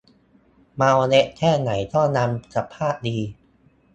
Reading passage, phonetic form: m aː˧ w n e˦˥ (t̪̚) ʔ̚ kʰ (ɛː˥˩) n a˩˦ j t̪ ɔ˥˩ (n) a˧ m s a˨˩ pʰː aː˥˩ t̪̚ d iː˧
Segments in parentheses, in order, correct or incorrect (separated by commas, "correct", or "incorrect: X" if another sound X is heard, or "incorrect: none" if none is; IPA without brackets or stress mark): incorrect: none, correct, correct